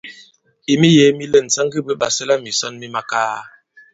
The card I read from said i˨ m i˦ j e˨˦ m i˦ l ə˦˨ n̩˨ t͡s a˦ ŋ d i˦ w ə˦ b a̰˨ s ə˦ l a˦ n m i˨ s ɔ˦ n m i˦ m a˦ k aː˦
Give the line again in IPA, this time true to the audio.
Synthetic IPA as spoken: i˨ m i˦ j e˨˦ m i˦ l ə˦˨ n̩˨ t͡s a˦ ŋ ɡ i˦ b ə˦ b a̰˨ s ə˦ l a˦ m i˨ s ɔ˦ n m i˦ m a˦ k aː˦